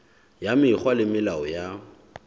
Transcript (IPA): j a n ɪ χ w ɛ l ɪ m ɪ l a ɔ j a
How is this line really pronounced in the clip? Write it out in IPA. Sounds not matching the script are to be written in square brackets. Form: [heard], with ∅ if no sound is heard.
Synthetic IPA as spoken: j a [m] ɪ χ w [a] l ɪ m ɪ l a ɔ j a